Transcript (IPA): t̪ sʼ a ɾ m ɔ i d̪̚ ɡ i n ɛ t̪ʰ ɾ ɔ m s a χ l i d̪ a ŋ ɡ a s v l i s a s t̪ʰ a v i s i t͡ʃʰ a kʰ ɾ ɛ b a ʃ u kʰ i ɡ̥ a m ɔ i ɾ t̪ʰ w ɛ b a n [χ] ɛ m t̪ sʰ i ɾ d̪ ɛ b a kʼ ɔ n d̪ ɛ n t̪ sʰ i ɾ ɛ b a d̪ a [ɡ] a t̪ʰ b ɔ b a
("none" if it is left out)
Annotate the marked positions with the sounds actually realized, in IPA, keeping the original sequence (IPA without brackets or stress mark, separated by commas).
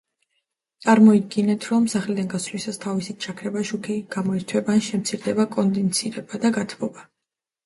ʃ, ɡ